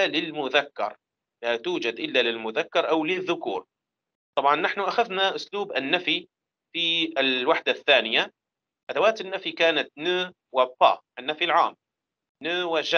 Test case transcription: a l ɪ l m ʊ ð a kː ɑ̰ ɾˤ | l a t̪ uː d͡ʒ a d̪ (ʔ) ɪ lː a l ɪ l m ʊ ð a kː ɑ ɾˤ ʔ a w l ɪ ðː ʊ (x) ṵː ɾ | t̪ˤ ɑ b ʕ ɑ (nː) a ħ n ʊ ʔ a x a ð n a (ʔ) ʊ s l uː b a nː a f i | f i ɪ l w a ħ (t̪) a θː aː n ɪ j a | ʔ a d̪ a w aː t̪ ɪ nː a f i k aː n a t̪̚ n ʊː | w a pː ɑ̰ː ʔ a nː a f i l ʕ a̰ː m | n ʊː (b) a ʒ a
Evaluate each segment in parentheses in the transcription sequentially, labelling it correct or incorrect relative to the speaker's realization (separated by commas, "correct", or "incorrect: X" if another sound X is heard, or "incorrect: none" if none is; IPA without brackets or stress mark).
correct, incorrect: k, correct, correct, incorrect: d̪, incorrect: w